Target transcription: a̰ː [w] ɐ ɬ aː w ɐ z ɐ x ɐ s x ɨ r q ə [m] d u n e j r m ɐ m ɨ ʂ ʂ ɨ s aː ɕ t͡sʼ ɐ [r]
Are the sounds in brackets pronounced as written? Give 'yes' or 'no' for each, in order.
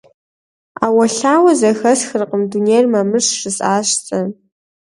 yes, yes, no

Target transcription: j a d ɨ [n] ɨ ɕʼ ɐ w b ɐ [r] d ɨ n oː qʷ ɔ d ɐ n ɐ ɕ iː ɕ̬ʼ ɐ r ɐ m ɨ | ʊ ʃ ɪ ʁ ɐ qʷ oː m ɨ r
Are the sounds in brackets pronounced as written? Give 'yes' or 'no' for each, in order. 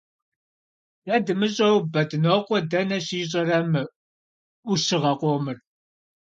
no, no

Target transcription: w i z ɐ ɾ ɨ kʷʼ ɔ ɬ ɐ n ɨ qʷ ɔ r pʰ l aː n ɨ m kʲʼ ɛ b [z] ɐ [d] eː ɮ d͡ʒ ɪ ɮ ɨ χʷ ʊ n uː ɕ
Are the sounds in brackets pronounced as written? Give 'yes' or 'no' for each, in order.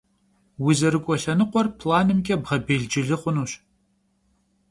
no, no

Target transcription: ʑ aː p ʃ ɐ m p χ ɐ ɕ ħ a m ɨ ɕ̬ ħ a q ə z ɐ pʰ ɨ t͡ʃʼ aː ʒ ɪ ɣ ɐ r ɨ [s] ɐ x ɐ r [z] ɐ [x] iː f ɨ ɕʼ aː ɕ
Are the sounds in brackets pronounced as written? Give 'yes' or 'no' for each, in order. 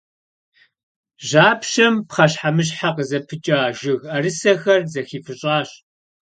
yes, yes, yes

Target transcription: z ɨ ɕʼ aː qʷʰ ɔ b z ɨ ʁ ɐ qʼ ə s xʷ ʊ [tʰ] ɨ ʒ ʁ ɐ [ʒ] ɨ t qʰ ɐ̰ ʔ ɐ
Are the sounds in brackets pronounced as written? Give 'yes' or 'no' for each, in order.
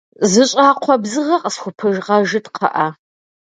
no, yes

